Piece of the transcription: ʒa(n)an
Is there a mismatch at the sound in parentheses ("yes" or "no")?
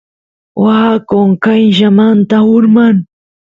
yes